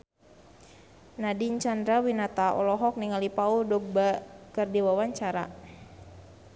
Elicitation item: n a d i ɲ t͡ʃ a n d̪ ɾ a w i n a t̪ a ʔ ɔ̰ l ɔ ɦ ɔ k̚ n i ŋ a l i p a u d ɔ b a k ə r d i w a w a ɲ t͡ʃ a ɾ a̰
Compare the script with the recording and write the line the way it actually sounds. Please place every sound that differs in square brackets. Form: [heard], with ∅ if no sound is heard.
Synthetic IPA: n a d i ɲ t͡ʃ a n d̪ ɾ a w i n a t̪ a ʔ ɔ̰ l ɔ ɦ ɔ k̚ n i ŋ a l i p a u d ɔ b a k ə r d i w a w a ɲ t͡ʃ a ɾ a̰